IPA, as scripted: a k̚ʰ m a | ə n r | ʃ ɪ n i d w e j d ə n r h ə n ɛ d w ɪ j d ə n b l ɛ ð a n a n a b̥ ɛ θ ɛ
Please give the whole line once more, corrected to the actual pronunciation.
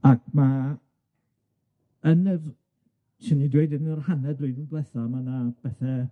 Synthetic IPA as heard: a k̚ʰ m a | ə n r | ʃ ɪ n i d w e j d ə n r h a n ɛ d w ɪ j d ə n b l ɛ θ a m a n a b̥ ɛ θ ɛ